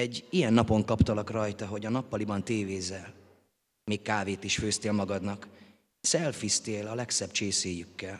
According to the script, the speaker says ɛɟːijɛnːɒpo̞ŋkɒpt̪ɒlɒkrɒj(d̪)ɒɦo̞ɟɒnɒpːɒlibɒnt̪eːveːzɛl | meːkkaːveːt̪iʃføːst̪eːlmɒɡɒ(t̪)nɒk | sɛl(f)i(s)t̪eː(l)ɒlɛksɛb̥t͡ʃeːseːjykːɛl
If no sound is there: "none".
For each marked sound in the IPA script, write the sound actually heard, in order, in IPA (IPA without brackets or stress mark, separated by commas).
t̪, d̪, f, s, l